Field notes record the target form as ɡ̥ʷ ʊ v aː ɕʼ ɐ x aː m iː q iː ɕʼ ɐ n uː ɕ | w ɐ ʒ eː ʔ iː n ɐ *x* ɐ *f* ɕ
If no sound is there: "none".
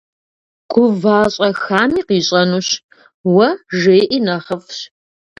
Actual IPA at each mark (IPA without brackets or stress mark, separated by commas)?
χ, f